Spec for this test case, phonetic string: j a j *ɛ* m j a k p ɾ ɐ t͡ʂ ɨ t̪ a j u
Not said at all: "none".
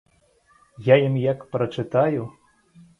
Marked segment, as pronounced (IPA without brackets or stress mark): i